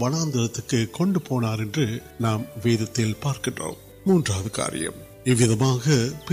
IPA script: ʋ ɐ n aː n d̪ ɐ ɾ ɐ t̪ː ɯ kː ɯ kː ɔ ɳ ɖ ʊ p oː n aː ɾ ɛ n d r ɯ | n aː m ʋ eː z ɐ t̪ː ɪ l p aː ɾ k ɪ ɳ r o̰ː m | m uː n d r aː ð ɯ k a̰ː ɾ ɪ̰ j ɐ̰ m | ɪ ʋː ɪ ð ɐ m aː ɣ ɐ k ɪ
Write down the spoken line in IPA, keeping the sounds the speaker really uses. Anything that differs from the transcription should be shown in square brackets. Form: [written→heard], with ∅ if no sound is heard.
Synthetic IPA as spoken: ʋ ɐ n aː n d̪ ɐ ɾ ɐ t̪ː ɯ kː ɯ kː ɔ ɳ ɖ [ʊ→ɯ] p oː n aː ɾ ɛ n d r ɯ | n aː m ʋ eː [z→ð] ɐ t̪ː ɪ l p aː ɾ k ɪ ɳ r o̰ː m | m uː n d r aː ð ɯ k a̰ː ɾ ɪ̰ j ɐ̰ m | ɪ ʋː ɪ ð ɐ m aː ɣ ɐ [k→p] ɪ